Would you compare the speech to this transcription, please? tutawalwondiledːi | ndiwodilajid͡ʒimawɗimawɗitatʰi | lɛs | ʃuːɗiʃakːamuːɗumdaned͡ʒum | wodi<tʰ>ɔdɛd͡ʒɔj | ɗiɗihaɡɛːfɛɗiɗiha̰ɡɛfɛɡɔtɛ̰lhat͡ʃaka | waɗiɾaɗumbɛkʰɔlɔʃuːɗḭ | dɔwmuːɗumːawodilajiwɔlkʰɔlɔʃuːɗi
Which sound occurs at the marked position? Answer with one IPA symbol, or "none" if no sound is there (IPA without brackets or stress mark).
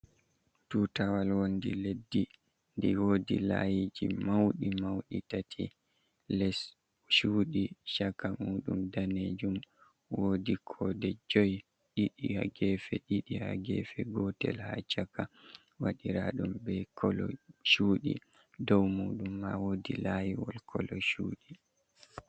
kʰ